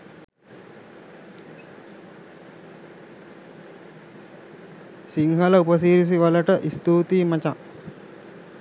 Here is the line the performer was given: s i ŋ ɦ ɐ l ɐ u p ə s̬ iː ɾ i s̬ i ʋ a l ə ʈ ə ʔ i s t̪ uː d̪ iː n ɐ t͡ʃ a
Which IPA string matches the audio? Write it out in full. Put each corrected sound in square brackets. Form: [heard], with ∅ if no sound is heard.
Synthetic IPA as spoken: s i ŋ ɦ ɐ l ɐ u p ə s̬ iː ɾ i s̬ i ʋ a l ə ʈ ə ʔ i s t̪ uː [t̪] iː [m] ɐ t͡ʃ a